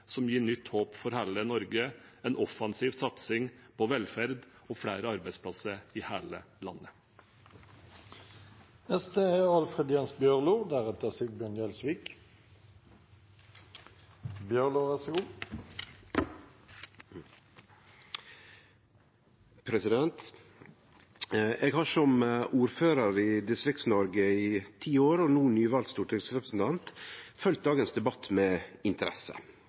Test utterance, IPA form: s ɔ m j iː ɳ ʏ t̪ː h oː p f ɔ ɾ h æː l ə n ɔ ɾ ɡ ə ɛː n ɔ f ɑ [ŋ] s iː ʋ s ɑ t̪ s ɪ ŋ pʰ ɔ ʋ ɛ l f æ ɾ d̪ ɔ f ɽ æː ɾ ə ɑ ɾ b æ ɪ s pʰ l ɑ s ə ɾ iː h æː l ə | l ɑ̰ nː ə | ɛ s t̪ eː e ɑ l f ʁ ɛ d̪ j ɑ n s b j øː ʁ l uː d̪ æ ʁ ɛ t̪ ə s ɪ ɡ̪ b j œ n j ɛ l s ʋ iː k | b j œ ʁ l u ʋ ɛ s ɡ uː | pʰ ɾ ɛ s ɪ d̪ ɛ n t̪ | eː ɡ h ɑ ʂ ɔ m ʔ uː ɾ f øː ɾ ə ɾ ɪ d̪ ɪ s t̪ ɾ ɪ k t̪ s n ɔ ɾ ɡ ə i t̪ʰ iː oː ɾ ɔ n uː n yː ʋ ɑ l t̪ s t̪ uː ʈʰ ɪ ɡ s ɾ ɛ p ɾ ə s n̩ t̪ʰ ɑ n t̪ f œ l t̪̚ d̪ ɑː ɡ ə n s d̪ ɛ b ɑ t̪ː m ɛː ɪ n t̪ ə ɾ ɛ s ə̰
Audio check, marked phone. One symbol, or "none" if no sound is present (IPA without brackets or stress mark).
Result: n